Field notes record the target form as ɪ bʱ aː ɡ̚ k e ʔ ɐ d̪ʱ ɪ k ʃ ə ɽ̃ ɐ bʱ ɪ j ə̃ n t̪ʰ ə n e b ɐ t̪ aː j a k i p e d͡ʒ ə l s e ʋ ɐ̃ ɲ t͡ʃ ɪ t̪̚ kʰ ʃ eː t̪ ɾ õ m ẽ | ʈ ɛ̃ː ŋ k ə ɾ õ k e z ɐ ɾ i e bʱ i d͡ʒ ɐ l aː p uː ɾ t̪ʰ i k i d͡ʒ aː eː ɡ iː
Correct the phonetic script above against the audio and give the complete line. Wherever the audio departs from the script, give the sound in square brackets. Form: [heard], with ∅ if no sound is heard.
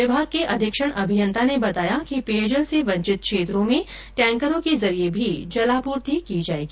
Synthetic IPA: ɪ bʱ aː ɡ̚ k e ʔ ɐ d̪ʱ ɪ k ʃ ə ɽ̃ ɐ bʱ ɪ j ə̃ n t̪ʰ [a] n e b ɐ t̪ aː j a k i p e d͡ʒ ə l s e ʋ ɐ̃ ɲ t͡ʃ ɪ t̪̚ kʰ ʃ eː t̪ ɾ õ m ẽ | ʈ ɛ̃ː ŋ k ə ɾ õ k e z ɐ ɾ i e bʱ i d͡ʒ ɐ l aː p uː ɾ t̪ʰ i k i d͡ʒ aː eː ɡ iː

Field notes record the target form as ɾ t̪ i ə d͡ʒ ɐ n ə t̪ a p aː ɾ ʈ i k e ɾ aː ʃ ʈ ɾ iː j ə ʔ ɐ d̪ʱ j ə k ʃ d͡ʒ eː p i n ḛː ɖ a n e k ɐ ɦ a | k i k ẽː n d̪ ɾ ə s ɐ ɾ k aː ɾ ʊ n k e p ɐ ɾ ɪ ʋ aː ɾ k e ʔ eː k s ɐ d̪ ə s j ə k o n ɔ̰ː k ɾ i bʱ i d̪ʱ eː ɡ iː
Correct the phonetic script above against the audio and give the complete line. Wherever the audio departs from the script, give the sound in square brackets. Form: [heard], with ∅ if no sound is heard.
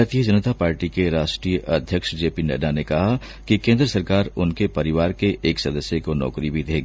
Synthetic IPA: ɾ t̪ i ə d͡ʒ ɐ n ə t̪ a p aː ɾ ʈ i k e ɾ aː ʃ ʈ ɾ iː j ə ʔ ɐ d̪ʱ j ə k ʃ d͡ʒ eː p i n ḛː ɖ a n e k ɐ ɦ a | k i k ẽː n d̪ ɾ ə s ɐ ɾ k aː ɾ ʊ n k e p ɐ ɾ ɪ ʋ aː ɾ k e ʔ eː k s ɐ d̪ ə s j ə k o n ɔ̰ː k ɾ i bʱ i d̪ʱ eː ɡ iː

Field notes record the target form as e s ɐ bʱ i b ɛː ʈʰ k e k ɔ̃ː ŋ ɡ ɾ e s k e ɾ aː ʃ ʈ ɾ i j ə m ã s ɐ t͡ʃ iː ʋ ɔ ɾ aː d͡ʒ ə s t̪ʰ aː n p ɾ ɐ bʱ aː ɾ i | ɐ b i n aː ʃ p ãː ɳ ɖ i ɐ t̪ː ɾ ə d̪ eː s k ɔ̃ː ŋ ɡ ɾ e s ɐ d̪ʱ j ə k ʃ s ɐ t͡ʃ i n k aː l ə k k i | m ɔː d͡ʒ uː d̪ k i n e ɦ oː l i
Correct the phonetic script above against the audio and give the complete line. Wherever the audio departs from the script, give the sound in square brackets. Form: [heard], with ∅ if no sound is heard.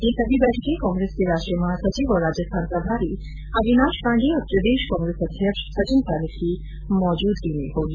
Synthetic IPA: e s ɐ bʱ i b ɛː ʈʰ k e k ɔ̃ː ŋ ɡ ɾ e s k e ɾ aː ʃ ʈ ɾ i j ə m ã s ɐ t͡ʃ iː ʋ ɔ ɾ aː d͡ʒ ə s t̪ʰ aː n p ɾ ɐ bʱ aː ɾ i | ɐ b i n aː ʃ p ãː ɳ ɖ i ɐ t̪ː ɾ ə d̪ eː [ʃ] k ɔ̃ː ŋ ɡ ɾ e s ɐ d̪ʱ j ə k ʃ s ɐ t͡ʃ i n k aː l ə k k i | m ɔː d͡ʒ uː d̪ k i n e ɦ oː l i

